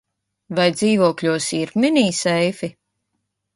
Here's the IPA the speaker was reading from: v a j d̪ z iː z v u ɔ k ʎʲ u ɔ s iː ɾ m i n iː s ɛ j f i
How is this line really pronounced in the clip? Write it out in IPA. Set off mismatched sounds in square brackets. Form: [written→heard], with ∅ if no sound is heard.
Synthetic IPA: v a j d̪ z iː [z→∅] v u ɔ k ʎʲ u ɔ s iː ɾ m i n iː s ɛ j f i